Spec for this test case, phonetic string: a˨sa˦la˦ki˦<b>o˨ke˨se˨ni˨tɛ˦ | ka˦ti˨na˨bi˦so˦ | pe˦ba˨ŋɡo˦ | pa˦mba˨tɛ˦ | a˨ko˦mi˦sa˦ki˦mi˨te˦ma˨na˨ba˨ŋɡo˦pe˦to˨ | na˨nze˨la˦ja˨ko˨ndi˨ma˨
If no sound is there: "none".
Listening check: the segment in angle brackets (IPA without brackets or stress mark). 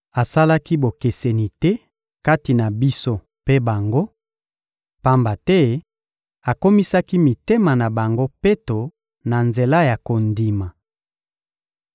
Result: b